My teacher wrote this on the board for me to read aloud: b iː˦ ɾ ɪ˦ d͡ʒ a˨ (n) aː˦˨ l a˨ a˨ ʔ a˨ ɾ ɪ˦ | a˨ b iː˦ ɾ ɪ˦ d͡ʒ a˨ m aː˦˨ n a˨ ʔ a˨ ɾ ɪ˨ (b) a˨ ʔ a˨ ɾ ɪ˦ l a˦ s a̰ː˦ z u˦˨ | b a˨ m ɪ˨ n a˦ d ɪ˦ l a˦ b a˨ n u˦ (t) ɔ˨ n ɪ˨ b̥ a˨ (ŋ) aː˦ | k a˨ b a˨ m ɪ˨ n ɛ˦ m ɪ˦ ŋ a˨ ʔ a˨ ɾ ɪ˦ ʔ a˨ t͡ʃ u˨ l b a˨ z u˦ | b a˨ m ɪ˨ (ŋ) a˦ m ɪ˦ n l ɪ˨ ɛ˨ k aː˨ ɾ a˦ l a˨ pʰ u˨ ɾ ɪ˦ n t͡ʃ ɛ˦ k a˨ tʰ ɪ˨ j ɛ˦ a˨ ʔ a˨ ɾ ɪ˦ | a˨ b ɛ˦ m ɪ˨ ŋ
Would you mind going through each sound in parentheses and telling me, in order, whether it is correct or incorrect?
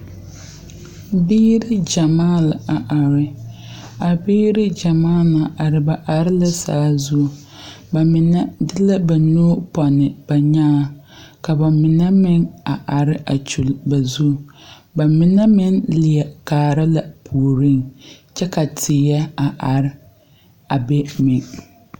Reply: incorrect: m, correct, incorrect: p, incorrect: ɲ, incorrect: n

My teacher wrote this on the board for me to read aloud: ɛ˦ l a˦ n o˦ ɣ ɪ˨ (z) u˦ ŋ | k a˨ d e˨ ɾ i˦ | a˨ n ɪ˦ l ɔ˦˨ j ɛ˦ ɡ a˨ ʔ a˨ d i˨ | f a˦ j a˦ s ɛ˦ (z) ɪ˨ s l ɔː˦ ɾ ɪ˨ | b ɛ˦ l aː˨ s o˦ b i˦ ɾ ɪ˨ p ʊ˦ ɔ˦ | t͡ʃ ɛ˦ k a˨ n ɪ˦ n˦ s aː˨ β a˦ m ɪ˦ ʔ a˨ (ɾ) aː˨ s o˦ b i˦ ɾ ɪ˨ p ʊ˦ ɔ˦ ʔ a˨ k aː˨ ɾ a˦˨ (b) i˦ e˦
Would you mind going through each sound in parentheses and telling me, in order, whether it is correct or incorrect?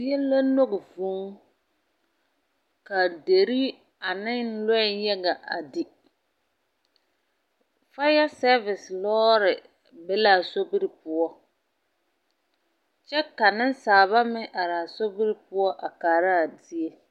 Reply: incorrect: v, incorrect: v, correct, incorrect: d

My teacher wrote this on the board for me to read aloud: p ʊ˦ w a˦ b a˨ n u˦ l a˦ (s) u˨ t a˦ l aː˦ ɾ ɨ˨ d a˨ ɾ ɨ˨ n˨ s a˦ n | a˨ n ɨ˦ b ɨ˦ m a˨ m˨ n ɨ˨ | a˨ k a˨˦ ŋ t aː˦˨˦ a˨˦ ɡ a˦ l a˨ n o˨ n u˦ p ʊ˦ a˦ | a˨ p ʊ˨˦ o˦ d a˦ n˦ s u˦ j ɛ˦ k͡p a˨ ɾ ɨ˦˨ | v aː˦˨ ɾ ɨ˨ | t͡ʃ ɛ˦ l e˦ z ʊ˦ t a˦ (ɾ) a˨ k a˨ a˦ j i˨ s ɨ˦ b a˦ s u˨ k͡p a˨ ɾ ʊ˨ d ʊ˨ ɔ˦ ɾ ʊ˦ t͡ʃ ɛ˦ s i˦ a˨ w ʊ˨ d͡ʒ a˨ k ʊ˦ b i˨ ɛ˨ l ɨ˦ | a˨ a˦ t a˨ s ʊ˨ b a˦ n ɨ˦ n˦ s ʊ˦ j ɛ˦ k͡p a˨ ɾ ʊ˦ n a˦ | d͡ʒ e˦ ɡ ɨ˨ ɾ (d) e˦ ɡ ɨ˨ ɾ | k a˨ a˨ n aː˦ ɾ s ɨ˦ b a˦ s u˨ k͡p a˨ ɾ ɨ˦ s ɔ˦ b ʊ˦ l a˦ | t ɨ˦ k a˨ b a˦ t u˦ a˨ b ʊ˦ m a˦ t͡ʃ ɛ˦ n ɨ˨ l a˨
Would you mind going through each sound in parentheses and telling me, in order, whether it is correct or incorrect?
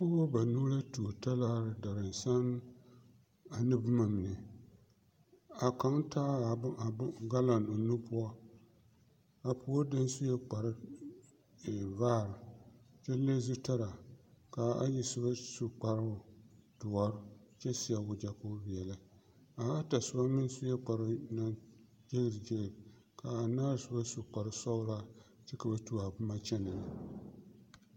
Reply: incorrect: t, correct, incorrect: d͡ʒ

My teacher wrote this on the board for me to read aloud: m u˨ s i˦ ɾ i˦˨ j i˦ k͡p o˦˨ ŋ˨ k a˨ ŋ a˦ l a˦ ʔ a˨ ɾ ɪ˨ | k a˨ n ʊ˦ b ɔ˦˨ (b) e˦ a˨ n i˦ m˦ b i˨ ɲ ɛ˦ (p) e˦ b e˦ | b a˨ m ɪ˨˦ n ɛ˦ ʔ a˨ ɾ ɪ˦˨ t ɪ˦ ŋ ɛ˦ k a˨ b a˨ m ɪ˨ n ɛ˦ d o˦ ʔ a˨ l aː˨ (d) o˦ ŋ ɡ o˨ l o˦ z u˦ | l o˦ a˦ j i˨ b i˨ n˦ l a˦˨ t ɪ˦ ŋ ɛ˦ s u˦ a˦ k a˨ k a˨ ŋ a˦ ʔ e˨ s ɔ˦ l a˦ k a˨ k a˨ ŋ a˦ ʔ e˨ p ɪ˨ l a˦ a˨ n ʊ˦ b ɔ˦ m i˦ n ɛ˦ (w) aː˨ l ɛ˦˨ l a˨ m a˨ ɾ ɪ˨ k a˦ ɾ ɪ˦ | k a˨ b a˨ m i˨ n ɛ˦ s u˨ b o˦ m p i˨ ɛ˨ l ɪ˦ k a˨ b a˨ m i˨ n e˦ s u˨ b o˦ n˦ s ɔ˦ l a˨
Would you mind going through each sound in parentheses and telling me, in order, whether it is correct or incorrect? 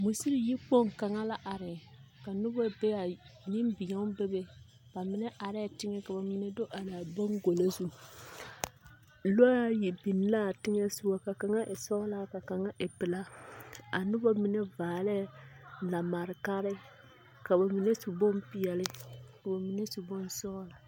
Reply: correct, incorrect: b, incorrect: b, incorrect: v

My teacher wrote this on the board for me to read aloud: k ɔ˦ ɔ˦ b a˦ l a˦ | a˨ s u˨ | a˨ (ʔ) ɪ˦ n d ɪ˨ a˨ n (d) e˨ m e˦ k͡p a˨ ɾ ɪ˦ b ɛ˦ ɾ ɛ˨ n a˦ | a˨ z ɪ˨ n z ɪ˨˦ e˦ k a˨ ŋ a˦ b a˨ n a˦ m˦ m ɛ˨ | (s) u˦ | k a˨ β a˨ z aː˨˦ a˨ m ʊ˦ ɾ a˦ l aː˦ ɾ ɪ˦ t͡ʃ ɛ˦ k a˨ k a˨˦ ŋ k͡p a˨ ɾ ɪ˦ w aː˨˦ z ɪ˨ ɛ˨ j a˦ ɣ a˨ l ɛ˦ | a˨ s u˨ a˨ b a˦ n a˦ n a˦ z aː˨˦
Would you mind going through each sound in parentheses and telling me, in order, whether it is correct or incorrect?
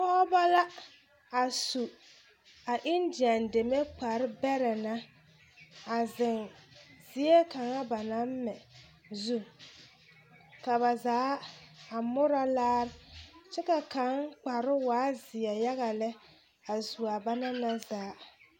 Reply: correct, correct, incorrect: z

